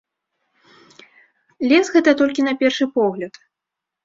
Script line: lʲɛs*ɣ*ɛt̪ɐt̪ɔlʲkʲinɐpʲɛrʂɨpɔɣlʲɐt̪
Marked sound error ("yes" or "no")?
no